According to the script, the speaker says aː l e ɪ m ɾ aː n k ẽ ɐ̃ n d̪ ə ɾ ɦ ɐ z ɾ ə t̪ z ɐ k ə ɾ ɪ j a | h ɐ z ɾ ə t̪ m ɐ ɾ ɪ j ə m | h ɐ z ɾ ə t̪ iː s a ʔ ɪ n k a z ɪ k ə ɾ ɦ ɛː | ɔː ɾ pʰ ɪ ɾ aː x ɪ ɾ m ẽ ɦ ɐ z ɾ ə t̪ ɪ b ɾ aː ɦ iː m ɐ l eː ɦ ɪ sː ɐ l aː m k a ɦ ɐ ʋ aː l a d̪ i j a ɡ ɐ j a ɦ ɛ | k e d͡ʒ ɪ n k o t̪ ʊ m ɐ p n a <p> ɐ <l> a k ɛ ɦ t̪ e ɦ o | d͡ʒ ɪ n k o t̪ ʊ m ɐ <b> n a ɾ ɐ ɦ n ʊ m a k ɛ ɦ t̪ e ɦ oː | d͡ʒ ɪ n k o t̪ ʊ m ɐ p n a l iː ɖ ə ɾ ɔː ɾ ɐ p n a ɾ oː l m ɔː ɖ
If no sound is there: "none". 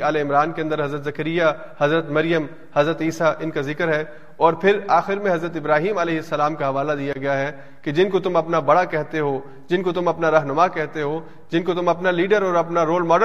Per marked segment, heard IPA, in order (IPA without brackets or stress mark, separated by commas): b, ɽ, p